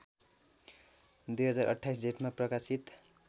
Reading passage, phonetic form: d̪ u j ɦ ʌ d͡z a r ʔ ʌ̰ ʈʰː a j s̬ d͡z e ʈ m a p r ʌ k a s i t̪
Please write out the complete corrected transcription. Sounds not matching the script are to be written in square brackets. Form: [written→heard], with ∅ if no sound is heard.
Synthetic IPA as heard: d̪ u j ɦ ʌ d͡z a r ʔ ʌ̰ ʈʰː a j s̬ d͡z e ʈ m a p r ʌ k a s i t̪